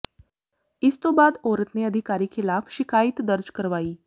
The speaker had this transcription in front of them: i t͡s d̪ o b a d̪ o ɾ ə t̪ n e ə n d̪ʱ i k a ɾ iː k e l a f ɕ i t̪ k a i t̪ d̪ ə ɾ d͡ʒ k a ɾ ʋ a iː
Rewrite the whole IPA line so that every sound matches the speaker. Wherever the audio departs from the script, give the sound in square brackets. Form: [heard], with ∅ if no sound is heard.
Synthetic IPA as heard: i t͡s [t̪] o b a d̪ o ɾ ə t̪ n e ə [∅] d̪ʱ i k a ɾ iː k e l a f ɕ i [∅] k a i t̪ d̪ ə ɾ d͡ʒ k [ə] ɾ ʋ a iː